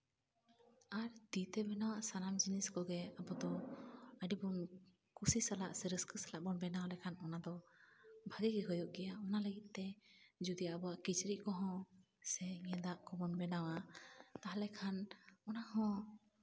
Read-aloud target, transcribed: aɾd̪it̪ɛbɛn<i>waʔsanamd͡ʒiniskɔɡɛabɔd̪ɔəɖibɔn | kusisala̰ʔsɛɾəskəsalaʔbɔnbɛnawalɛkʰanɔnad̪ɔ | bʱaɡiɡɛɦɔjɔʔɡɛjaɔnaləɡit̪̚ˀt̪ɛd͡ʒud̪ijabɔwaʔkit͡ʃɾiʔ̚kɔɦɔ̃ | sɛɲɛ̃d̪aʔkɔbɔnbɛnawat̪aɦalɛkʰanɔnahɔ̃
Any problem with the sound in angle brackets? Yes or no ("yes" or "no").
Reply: yes